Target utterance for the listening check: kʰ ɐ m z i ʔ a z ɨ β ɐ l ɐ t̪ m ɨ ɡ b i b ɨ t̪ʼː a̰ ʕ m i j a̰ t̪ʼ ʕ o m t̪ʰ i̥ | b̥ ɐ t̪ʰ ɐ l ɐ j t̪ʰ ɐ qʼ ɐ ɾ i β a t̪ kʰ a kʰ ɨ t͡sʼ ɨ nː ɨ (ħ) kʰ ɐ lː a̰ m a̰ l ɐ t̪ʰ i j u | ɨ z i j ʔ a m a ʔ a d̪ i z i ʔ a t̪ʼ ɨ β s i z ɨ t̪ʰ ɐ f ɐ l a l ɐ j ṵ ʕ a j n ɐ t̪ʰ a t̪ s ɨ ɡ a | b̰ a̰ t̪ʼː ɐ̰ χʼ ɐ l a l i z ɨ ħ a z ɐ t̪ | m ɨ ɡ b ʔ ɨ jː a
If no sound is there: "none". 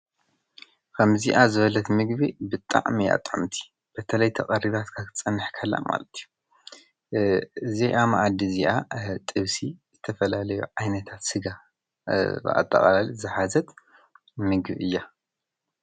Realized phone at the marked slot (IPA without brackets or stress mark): ħ